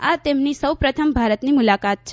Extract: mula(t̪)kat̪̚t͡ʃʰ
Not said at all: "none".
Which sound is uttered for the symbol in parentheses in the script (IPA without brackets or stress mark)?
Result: none